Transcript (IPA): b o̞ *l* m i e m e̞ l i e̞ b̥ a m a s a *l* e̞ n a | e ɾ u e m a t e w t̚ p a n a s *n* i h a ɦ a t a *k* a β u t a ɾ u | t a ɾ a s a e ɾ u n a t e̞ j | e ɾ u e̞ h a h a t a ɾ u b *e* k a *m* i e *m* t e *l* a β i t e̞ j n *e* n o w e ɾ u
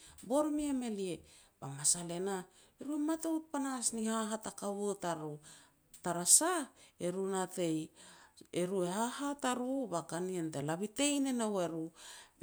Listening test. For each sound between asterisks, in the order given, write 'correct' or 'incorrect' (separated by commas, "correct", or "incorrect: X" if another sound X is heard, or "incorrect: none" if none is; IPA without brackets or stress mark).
incorrect: ɾ, correct, correct, correct, incorrect: a, incorrect: n, incorrect: n, correct, correct